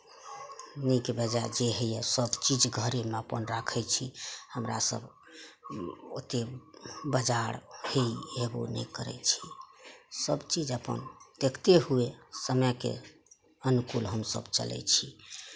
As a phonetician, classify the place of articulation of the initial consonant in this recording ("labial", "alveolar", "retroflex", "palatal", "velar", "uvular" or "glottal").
alveolar